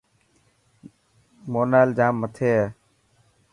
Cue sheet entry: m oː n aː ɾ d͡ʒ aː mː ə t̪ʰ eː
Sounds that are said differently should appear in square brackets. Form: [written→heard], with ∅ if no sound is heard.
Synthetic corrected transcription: m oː n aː [ɾ→l] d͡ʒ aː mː ə t̪ʰ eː